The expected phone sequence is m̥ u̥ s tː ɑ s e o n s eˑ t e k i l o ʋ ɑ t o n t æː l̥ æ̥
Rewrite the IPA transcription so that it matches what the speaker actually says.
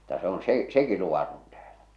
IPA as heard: m̥ u̥ tː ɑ s e o n s eˑ s e k i l u ʋ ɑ t o n t æː l̥ æ̥